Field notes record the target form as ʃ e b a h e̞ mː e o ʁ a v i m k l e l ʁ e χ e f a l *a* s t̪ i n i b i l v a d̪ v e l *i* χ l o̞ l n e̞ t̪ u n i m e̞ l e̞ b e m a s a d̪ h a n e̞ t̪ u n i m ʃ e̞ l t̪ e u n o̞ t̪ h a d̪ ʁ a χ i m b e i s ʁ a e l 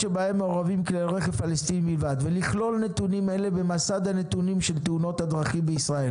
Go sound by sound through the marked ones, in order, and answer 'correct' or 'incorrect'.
incorrect: e, correct

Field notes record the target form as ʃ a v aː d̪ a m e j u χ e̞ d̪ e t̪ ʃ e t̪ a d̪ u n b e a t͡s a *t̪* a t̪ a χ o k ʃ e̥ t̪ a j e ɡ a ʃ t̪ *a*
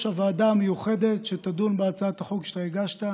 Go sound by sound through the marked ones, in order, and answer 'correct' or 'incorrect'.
incorrect: none, correct

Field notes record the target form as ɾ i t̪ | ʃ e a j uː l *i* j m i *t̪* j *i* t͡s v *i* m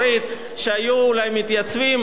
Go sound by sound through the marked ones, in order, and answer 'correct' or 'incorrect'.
incorrect: a, correct, incorrect: a, correct

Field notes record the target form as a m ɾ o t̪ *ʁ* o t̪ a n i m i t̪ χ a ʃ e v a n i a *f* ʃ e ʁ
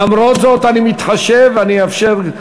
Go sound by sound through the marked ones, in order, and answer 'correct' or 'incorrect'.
incorrect: z, correct

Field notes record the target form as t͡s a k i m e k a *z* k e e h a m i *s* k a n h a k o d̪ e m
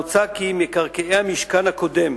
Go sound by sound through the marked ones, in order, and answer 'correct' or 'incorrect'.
incorrect: ʁ, incorrect: ʃ

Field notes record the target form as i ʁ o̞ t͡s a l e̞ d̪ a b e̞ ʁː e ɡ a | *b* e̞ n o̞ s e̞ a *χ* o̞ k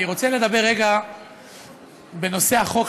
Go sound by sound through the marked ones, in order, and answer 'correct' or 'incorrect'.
correct, correct

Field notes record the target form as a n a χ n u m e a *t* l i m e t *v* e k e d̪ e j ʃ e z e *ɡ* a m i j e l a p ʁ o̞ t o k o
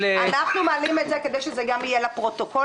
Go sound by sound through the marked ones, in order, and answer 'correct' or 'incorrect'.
incorrect: none, incorrect: z, correct

